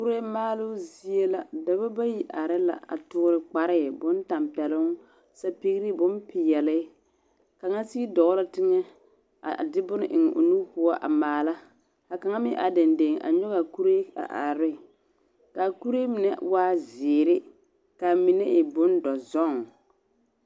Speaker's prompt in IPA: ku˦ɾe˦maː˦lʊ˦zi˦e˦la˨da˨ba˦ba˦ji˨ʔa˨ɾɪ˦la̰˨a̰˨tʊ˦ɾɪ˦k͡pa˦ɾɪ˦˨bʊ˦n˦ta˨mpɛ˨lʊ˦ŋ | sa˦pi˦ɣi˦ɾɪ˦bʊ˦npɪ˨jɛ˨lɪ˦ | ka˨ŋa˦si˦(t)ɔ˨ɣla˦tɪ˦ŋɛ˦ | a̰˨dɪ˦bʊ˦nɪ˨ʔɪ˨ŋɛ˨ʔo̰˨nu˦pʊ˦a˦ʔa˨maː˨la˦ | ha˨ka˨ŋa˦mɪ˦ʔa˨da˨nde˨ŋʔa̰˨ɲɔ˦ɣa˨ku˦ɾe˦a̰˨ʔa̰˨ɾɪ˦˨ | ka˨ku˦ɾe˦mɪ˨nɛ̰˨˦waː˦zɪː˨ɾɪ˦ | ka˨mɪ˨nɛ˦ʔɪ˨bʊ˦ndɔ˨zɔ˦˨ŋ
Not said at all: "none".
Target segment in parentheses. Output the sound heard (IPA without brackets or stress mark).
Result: d